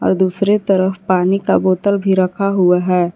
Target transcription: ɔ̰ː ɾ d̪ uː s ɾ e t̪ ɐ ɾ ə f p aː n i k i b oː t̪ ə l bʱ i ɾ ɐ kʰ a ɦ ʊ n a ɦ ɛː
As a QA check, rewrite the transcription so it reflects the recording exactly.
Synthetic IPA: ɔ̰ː ɾ d̪ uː s ɾ e t̪ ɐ ɾ ə f p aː n i k a b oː t̪ ə l bʱ i ɾ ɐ kʰ a ɦ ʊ a ɦ ɛː